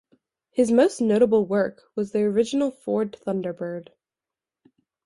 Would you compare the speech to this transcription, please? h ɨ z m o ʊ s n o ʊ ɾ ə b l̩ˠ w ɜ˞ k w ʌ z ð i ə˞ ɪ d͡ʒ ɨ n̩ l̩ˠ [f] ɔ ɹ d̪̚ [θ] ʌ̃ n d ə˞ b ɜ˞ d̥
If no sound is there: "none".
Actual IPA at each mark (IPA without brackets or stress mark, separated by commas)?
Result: f, θ